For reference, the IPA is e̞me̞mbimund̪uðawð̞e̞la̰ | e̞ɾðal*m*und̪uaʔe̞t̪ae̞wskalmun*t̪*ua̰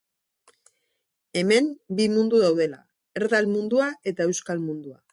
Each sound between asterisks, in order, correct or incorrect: correct, incorrect

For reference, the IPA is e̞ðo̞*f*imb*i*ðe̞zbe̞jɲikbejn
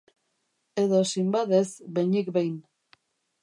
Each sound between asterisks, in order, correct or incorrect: incorrect, incorrect

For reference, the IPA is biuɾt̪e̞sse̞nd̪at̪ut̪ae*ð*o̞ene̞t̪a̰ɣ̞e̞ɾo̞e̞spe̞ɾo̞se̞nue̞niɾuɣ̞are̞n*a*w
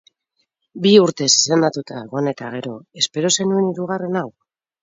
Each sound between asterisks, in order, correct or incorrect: incorrect, correct

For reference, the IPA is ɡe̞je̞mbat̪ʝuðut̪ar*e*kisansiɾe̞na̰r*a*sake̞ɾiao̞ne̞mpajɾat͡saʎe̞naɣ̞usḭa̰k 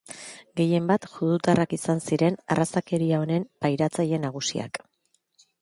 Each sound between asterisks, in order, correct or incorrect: incorrect, correct

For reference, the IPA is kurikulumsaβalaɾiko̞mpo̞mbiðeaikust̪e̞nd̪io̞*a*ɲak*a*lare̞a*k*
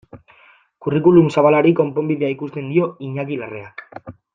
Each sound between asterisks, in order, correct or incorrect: incorrect, incorrect, correct

